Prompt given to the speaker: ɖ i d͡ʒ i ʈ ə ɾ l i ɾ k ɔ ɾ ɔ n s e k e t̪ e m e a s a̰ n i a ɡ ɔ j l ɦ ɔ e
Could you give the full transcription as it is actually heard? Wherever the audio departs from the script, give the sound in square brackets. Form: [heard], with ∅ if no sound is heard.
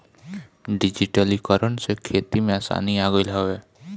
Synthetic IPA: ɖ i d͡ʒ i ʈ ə [∅] l i [∅] k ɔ ɾ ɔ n s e [kʰ] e t̪ [i] m e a s a̰ n i a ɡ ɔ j l ɦ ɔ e